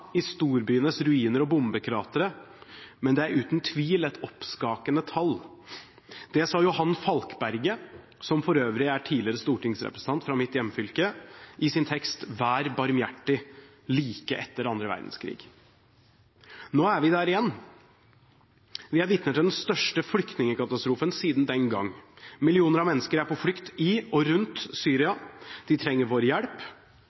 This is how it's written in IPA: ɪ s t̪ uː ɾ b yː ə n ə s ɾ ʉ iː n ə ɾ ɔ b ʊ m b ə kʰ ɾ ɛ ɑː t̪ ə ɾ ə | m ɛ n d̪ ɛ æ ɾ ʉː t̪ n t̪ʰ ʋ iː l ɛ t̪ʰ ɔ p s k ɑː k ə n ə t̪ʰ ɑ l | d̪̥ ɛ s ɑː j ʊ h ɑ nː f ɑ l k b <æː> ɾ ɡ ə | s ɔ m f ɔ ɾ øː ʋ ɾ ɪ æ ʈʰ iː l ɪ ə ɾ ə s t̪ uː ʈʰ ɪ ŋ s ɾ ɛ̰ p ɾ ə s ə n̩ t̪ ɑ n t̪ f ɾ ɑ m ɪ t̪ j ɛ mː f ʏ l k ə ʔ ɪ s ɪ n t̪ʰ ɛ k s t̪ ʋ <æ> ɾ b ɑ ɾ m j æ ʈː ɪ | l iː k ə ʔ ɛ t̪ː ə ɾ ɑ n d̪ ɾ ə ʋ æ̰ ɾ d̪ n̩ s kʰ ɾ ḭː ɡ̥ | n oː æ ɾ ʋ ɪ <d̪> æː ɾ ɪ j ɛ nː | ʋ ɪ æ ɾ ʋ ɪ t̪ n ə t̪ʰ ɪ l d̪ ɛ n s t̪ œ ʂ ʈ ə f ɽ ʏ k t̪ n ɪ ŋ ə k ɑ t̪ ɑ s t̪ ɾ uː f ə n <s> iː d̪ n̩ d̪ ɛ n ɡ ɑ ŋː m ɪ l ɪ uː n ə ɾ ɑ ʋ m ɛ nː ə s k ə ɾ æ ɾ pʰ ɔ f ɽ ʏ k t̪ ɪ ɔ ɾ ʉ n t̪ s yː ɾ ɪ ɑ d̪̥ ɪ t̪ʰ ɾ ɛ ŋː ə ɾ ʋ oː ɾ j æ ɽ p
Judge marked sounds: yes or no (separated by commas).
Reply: no, no, yes, yes